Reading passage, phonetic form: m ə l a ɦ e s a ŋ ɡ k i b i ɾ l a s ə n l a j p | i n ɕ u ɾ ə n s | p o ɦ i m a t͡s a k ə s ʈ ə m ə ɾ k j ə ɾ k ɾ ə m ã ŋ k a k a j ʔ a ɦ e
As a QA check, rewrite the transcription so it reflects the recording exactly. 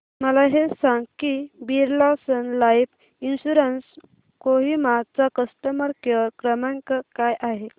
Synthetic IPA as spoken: m ə l a ɦ e s a ŋ ɡ k i b i ɾ l a s ə n l a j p | i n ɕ u ɾ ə n s | k o ɦ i m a t͡s a k ə s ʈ ə m ə ɾ k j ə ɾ k ɾ ə m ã ŋ k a k a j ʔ a ɦ e